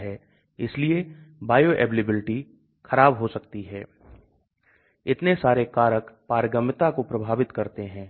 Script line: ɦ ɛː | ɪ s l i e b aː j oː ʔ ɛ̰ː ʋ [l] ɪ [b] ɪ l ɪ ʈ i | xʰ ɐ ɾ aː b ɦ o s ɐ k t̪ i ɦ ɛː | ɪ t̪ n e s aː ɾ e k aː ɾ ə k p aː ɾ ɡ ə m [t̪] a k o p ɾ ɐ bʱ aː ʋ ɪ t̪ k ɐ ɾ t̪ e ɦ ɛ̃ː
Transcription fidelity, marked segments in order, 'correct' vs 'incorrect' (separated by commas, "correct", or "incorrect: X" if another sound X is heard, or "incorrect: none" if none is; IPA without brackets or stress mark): correct, correct, correct